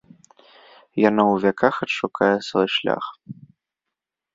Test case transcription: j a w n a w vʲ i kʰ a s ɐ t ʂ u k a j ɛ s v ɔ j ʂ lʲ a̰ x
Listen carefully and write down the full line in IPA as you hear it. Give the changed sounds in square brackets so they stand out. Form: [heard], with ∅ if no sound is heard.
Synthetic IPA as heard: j a [∅] n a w vʲ [a] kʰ a [x] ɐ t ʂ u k a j ɛ s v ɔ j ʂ lʲ a̰ x

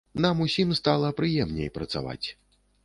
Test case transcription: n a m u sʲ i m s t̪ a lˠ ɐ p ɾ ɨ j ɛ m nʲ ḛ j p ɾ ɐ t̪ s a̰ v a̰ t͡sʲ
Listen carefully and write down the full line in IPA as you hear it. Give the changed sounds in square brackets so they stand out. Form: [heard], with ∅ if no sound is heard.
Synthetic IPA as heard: n a m u sʲ i m s t̪ a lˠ ɐ p ɾ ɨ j ɛ m nʲ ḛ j p ɾ ɐ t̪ s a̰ v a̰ t͡sʲ

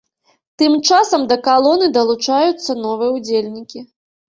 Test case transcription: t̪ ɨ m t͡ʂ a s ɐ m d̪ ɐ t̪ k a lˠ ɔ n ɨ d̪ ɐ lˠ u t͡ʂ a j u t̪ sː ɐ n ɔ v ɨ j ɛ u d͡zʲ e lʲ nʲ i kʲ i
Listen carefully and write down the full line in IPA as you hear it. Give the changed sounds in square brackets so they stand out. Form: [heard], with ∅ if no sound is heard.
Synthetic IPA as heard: t̪ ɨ m t͡ʂ a s ɐ m d̪ ɐ [∅] k a lˠ ɔ n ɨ d̪ ɐ lˠ u t͡ʂ a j u t̪ sː ɐ n ɔ v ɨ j ɛ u d͡zʲ e lʲ nʲ i kʲ i

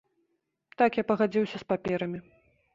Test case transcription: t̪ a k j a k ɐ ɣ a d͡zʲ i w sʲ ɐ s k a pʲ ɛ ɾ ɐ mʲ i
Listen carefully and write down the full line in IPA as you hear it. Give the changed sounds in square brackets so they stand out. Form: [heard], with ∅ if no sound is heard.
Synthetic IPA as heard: t̪ a k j a [p] ɐ ɣ a d͡zʲ i w sʲ ɐ s [p] a pʲ ɛ ɾ ɐ mʲ i

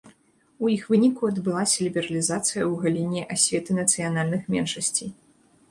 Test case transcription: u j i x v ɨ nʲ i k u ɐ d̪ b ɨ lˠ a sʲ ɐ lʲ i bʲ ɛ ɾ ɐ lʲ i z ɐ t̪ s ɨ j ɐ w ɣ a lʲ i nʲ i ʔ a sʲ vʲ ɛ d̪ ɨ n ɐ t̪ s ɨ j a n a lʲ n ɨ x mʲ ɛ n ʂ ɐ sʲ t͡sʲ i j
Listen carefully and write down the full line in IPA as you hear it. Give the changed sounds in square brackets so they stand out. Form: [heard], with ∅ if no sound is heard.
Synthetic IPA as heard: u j i x v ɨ nʲ i k u ɐ d̪ b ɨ lˠ a sʲ ɐ lʲ i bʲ ɛ ɾ ɐ lʲ i z [a] t̪ s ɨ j ɐ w ɣ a lʲ i nʲ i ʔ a sʲ vʲ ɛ [t̪] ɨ n ɐ t̪ s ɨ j a n a lʲ n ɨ x mʲ ɛ n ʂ ɐ sʲ t͡sʲ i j

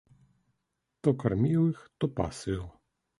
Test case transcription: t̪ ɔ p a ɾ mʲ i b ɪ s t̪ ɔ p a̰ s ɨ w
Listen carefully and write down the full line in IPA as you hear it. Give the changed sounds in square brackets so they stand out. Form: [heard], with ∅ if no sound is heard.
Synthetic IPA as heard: t̪ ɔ [k] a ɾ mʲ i [w] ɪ [x] t̪ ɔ p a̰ s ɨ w

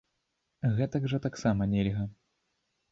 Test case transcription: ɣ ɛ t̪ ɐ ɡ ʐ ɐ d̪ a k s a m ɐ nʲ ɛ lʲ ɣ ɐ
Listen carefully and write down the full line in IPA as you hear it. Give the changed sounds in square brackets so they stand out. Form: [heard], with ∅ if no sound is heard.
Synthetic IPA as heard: ɣ ɛ t̪ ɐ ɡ ʐ ɐ [t̪] a k s a m ɐ nʲ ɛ lʲ ɣ ɐ

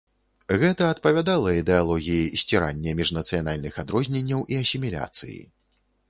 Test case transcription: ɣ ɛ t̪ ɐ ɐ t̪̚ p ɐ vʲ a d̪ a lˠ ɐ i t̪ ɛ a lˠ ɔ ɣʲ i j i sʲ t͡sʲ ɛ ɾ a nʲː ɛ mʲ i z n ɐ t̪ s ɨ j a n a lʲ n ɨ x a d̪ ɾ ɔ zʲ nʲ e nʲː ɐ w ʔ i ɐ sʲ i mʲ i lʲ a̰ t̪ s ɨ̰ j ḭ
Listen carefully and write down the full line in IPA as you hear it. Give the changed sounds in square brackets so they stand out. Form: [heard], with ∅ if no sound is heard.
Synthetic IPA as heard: ɣ ɛ t̪ ɐ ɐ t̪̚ p ɐ vʲ a d̪ a lˠ ɐ i [d̪] ɛ a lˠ ɔ ɣʲ i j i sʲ t͡sʲ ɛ ɾ a nʲː ɛ mʲ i [ʐ] n ɐ t̪ s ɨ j a n a lʲ n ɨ x a d̪ ɾ ɔ zʲ nʲ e nʲː ɐ w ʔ i ɐ sʲ i mʲ i lʲ a̰ t̪ s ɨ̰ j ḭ

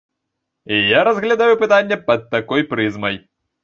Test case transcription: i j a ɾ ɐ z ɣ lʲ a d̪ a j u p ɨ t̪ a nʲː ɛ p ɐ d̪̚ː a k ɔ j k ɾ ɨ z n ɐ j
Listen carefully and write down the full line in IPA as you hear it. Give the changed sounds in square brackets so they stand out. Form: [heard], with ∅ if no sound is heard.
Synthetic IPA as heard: i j a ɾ ɐ z ɣ lʲ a d̪ a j u p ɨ t̪ a nʲː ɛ p ɐ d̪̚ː a k ɔ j [p] ɾ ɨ z [m] ɐ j

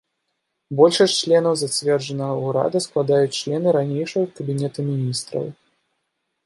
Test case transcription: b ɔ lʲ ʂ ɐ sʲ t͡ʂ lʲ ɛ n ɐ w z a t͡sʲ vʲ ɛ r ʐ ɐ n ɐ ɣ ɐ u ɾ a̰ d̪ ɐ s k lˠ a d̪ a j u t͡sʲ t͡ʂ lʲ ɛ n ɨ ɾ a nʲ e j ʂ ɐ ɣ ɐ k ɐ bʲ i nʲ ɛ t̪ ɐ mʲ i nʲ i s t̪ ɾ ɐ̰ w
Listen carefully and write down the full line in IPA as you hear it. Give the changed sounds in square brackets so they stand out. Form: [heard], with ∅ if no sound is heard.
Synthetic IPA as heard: b ɔ lʲ ʂ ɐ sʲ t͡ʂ lʲ ɛ n ɐ w z a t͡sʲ vʲ ɛ r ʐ ɐ n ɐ ɣ ɐ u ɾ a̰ d̪ ɐ s k lˠ a d̪ a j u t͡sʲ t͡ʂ lʲ ɛ n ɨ ɾ a nʲ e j ʂ ɐ ɣ ɐ k ɐ bʲ i nʲ ɛ t̪ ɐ mʲ i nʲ i s t̪ ɾ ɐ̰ w

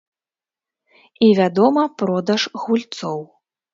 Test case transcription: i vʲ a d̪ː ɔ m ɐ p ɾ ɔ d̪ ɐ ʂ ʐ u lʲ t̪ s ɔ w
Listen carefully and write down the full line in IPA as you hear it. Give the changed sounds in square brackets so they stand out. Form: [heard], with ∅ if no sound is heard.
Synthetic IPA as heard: i vʲ a [d̪] ɔ m ɐ p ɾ ɔ d̪ ɐ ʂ [ɣ] u lʲ t̪ s ɔ w

